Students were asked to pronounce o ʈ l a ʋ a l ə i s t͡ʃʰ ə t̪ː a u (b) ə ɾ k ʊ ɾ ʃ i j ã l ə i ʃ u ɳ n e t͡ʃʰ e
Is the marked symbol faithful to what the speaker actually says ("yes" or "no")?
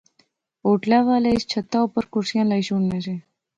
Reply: no